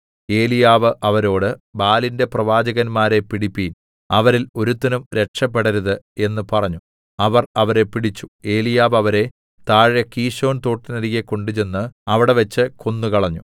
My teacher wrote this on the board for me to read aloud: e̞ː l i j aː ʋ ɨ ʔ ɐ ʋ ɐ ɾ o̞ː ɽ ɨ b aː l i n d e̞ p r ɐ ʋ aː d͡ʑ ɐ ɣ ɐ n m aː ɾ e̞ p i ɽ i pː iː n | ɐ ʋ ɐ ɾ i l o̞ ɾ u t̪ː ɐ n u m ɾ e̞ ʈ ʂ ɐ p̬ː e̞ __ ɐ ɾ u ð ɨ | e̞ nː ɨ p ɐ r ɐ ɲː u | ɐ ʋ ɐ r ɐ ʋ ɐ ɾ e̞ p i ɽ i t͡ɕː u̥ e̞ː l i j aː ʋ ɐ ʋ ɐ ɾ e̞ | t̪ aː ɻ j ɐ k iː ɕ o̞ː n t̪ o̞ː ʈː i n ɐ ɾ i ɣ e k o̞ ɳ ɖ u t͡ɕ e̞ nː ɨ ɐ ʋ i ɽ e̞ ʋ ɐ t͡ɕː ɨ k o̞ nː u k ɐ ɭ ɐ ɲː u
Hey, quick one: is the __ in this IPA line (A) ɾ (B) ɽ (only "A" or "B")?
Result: B